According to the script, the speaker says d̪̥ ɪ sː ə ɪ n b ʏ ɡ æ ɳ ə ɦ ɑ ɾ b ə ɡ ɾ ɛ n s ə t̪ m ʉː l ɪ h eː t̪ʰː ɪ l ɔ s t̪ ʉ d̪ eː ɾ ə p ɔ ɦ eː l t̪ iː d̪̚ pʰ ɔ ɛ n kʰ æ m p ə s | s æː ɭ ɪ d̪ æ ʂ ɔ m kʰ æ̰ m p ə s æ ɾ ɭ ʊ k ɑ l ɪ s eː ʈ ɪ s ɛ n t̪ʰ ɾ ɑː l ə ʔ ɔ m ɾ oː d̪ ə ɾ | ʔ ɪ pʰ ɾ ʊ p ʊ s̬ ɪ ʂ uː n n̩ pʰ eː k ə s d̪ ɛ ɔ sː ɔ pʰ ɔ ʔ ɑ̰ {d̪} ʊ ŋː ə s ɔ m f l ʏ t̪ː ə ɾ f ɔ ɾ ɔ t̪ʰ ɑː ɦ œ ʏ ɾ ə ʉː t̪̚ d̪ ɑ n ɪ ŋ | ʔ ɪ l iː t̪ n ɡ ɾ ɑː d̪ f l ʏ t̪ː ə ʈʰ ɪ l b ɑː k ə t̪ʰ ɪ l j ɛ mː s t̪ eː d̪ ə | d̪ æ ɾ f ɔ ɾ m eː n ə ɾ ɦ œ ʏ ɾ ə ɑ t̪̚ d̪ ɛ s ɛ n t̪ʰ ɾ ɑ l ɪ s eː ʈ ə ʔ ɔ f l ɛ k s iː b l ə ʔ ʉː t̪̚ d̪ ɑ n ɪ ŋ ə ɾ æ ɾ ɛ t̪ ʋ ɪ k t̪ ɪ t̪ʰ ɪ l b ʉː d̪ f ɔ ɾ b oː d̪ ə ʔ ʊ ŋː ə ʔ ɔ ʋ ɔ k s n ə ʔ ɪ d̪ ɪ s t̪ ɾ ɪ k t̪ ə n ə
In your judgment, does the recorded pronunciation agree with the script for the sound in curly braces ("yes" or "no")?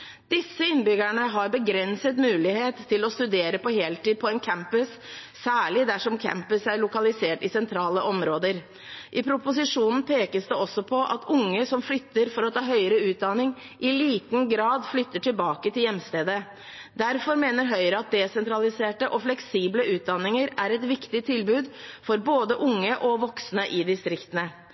no